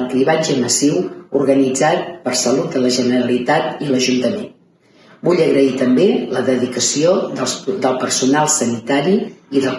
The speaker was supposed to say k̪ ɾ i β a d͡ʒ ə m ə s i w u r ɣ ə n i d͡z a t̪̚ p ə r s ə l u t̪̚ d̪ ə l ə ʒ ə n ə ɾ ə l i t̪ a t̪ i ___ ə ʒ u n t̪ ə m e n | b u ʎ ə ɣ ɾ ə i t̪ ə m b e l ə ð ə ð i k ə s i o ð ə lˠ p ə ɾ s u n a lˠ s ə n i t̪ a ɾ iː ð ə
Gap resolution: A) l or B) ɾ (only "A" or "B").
A